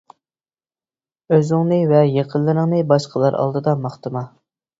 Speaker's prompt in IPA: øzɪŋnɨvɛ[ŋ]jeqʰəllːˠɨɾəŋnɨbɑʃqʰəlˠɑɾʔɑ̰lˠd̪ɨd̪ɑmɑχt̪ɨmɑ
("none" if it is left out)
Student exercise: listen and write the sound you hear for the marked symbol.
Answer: none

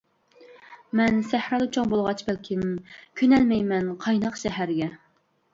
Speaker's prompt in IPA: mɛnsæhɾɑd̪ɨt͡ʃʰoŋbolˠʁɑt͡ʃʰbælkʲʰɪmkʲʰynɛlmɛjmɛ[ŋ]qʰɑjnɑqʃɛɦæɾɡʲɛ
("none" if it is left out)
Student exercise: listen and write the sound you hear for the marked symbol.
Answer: n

